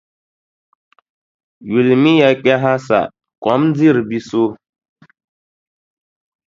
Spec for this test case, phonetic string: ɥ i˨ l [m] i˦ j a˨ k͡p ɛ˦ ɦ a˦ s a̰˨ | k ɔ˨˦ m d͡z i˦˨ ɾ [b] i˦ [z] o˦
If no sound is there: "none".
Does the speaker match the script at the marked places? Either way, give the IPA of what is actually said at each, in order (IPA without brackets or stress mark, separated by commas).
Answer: m, b, s